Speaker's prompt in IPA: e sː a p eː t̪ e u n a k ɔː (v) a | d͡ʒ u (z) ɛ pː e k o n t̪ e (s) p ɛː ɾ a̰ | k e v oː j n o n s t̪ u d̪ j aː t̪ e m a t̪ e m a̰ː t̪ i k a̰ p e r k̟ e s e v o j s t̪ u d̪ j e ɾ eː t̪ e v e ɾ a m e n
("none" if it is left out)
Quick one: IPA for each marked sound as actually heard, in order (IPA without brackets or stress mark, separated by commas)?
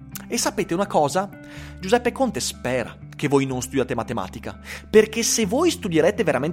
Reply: z, z, s